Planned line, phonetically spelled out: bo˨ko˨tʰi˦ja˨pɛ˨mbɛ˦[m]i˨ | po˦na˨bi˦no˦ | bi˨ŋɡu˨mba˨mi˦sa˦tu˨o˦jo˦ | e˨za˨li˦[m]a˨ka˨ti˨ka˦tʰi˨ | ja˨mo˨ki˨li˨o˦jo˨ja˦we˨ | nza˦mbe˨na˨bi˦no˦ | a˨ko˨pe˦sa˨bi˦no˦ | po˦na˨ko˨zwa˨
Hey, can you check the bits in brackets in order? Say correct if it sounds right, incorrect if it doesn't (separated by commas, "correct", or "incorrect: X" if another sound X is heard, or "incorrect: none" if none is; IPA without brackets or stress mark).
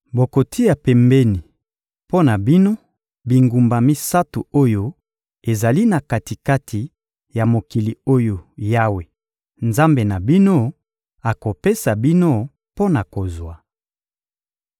incorrect: n, incorrect: n